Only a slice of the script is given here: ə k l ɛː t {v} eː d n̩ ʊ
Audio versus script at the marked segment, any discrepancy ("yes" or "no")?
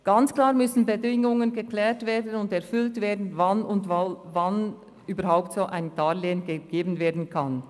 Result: no